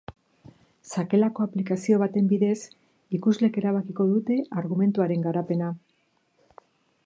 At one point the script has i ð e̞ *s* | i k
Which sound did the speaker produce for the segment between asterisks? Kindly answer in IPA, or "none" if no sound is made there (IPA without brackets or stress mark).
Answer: s